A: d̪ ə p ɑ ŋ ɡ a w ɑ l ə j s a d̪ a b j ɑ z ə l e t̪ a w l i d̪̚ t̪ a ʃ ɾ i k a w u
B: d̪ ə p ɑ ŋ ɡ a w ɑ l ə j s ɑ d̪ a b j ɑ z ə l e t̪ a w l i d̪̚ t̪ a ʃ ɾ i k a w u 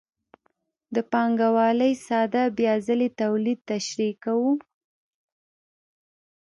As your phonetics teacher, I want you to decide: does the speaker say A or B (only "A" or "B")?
B